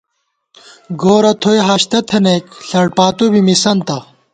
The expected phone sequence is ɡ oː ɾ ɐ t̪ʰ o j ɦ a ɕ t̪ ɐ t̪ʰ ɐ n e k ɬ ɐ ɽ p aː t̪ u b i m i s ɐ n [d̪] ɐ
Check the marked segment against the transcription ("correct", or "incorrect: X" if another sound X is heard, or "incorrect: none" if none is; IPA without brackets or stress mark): incorrect: t̪